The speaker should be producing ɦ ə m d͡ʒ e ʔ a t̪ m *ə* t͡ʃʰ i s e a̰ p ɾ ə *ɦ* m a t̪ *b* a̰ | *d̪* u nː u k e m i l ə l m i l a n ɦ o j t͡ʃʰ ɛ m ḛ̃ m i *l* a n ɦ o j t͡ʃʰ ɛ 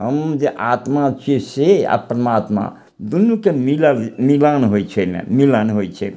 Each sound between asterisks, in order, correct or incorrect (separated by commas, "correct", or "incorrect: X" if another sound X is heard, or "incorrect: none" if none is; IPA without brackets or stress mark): incorrect: a, incorrect: none, incorrect: m, correct, correct